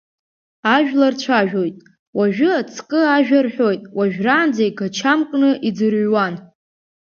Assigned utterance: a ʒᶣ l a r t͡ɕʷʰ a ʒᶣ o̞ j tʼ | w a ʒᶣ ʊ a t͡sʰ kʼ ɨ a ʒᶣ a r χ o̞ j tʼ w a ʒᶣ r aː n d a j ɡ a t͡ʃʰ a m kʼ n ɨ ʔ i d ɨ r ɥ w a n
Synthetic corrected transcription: a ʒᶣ l a r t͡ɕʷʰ a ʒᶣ o̞ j tʼ | w a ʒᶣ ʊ a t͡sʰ kʼ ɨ a ʒᶣ a r ħ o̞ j tʼ w a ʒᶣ r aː n d͡z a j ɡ a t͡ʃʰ a m kʼ n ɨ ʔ i d͡z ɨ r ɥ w a n